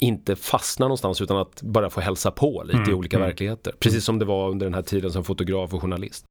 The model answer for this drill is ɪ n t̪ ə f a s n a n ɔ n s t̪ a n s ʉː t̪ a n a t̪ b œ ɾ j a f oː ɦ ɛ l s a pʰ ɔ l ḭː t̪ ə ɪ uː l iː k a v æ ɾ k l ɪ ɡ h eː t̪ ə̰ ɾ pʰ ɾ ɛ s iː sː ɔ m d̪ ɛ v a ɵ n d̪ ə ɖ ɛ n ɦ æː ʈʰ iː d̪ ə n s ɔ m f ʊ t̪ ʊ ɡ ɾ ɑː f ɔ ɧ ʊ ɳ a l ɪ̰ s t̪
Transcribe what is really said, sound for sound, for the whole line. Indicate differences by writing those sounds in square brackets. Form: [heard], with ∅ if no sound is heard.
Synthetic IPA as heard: ɪ n t̪ ə f a s n a n ɔ n s t̪ a n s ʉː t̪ a n a t̪ b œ ɾ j a f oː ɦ ɛ l s a pʰ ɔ l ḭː t̪ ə ɪ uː l iː k a v æ ɾ k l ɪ ɡ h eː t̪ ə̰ ɾ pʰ ɾ ɛ s iː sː ɔ m d̪ ɛ v a ɵ n d̪ ə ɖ ɛ n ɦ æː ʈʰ iː d̪ ə n s ɔ m f ʊ t̪ ʊ ɡ ɾ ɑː f ɔ ɧ ʊ ɳ a l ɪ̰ s t̪